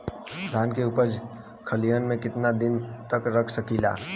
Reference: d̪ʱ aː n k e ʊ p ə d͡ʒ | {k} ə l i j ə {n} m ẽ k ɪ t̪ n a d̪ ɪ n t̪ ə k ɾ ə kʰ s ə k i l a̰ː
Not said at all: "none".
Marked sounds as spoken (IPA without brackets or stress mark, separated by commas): kʰ, n